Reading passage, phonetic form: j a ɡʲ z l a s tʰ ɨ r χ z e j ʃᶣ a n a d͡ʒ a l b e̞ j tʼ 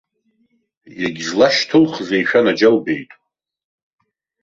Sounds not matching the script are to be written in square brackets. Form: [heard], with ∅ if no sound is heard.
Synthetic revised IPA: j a ɡʲ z l a [ʃ] tʰ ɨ [l] χ z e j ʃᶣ a n a d͡ʒ a l b e̞ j tʼ